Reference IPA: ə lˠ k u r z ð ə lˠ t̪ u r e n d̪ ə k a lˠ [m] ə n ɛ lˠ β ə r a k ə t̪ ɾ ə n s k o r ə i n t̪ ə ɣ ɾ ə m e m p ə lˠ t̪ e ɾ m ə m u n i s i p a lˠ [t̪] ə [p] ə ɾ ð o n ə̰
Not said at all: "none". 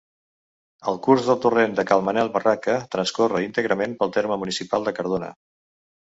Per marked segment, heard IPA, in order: m, d̪, k

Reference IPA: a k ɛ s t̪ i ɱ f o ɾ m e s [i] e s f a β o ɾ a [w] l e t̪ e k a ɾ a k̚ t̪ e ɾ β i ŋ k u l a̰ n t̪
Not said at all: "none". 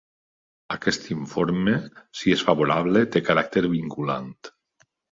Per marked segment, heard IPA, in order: i, β

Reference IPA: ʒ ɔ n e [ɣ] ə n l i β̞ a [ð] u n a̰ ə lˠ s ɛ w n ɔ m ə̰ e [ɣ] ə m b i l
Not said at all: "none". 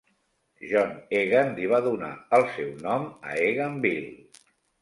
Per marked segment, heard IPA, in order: ɣ, ð, ɣ

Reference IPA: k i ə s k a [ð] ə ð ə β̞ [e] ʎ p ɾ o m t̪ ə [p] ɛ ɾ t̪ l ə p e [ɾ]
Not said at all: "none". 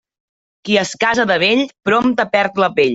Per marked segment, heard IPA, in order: z, e, p, ʎ

